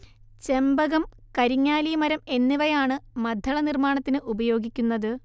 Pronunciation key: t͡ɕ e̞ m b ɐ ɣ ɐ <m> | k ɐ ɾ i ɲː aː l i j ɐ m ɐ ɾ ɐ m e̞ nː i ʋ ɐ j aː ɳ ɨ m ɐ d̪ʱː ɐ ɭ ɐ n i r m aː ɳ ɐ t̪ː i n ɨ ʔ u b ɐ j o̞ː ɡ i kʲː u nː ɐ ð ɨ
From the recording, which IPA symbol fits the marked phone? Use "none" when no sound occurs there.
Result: m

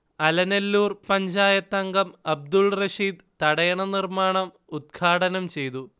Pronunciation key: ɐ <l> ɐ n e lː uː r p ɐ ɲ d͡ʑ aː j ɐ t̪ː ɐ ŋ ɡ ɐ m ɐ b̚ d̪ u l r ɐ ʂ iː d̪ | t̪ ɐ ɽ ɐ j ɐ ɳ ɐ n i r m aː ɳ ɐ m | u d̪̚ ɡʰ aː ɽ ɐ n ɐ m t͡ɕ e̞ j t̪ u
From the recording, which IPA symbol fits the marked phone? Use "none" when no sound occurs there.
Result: l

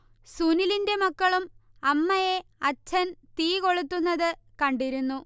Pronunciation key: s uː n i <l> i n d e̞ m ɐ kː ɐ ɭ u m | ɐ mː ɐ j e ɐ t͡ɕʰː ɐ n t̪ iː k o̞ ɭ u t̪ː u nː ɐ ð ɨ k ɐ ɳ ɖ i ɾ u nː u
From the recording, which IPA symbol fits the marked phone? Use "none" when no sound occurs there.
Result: l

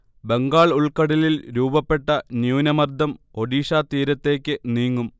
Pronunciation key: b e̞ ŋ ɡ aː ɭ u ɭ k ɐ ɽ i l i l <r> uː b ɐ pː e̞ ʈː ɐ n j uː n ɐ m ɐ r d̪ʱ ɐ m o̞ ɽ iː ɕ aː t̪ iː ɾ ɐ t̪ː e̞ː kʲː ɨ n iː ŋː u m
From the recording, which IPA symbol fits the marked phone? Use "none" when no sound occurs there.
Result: ɾ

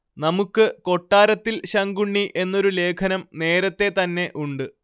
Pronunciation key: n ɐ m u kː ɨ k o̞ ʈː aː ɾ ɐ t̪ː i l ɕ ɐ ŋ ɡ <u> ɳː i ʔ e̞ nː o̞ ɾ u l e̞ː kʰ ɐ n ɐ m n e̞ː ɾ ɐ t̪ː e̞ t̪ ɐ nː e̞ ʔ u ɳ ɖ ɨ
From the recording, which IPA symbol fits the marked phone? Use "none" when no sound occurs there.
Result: u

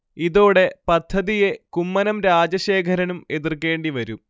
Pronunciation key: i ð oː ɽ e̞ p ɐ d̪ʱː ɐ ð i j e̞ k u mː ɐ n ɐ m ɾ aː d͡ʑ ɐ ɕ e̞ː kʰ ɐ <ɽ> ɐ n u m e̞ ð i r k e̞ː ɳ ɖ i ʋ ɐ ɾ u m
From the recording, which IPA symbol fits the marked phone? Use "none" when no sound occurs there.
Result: ɾ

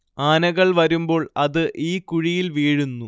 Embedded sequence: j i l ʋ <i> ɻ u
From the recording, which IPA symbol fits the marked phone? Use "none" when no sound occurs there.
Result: iː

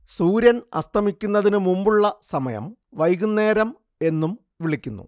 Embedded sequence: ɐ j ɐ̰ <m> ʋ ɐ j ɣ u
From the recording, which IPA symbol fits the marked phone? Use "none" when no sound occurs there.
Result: m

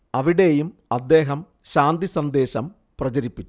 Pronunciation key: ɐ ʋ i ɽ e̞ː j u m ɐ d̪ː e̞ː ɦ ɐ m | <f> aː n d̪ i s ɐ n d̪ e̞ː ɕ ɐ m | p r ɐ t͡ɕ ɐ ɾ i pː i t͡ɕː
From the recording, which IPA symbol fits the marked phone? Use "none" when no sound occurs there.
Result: ɕ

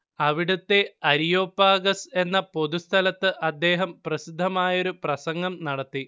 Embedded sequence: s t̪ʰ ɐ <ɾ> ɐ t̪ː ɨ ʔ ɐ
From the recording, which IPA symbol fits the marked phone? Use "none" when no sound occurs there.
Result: l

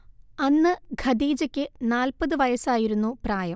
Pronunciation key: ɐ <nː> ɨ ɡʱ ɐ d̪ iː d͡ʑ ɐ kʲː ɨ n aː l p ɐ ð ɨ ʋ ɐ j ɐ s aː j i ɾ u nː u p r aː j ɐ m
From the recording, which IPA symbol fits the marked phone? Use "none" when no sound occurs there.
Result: nː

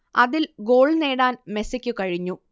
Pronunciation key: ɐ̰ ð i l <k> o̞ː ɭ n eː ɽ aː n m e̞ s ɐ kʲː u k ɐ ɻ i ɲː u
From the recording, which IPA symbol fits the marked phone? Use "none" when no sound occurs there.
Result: ɡ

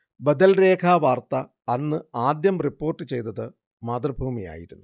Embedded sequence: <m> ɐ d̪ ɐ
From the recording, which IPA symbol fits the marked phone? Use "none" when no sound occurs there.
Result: b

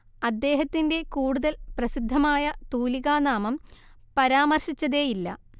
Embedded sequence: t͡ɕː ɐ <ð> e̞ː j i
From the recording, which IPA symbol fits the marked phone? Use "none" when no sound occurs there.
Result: ð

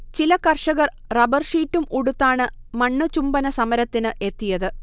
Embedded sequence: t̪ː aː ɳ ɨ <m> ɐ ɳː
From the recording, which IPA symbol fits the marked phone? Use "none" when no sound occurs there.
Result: m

